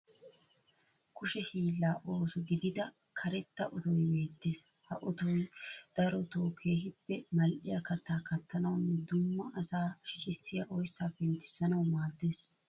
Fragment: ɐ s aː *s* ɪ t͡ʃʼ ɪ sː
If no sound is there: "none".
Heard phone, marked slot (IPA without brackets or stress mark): ʃ